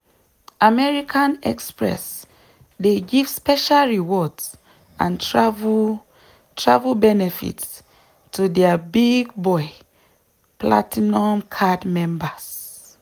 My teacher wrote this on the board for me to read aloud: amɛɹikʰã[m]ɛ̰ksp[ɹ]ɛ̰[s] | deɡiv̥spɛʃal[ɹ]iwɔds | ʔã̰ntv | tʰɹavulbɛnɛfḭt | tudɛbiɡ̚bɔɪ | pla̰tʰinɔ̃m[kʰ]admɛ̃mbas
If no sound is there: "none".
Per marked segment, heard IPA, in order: n, ɹ, s, ɹ, kʰ

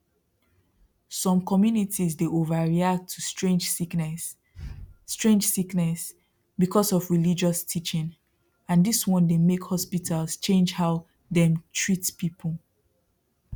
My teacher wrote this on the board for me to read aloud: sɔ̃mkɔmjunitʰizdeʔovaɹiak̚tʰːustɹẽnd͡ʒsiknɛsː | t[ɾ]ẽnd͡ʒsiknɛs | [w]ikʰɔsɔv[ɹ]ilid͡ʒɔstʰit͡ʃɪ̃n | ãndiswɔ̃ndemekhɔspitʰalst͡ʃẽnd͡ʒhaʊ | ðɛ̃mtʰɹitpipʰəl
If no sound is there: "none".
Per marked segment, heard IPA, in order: ɹ, b, ɹ

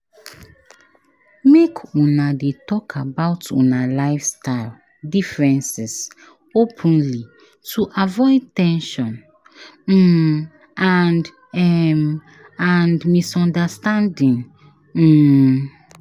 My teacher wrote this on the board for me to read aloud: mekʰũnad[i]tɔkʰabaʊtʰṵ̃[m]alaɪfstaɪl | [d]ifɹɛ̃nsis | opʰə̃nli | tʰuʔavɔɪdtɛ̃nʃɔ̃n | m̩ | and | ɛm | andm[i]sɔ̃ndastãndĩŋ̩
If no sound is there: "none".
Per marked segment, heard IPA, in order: e, n, d, i

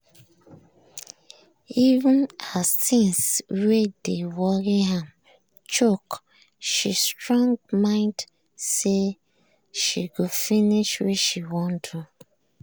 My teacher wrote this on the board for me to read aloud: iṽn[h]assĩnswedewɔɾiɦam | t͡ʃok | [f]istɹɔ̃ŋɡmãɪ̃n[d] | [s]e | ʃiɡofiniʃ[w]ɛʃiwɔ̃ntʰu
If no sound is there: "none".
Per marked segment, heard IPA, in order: h, ʃ, d, s, w

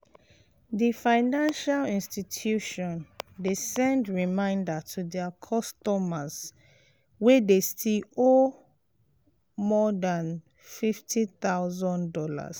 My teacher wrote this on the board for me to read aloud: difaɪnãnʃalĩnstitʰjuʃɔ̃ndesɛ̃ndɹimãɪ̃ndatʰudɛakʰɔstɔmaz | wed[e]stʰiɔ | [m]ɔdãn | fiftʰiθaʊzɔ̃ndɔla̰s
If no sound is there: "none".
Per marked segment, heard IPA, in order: e, m

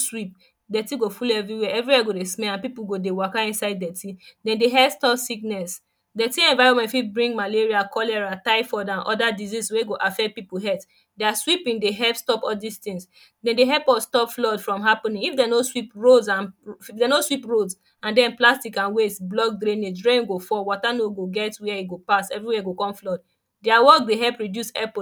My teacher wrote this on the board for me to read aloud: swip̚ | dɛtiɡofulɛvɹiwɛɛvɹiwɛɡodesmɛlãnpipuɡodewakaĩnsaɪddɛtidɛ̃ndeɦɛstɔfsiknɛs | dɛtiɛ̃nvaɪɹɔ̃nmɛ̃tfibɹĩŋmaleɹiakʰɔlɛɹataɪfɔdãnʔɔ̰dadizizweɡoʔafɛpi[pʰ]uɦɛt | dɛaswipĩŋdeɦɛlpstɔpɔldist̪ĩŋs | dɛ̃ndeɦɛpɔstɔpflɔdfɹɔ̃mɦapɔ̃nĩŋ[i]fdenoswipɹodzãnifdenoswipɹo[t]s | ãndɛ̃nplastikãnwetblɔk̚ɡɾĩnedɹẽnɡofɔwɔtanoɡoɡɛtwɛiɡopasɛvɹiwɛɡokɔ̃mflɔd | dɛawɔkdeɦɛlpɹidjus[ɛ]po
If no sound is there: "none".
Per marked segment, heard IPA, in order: p, i, d, ɛ

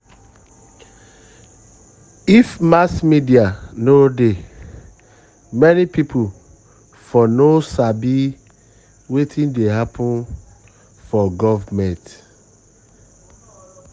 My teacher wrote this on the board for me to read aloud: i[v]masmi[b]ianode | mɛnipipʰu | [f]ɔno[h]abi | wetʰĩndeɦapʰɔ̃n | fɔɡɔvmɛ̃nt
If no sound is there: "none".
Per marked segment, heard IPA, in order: f, d, f, s

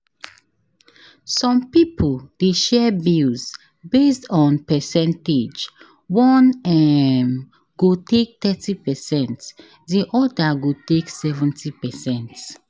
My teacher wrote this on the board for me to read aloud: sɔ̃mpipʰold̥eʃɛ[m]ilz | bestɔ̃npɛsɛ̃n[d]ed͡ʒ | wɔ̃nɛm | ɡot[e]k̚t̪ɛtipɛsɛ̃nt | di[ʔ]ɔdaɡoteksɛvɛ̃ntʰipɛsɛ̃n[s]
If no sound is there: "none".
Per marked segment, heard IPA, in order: b, t, e, ʔ, t

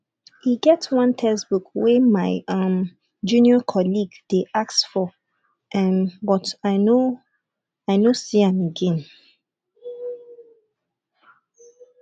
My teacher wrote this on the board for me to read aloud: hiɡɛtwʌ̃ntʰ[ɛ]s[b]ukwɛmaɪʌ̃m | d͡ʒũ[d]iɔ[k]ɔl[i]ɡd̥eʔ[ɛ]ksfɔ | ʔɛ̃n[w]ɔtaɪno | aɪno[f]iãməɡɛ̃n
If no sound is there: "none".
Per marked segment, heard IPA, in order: ɛ, b, n, kʰ, i, a, b, s

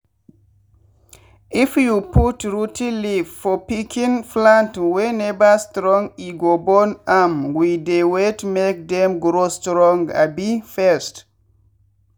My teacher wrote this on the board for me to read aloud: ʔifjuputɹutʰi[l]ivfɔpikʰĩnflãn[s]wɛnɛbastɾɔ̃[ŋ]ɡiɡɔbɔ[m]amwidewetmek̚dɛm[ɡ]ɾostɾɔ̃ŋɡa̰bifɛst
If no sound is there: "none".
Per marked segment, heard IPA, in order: l, t, ŋ, n, ɡ

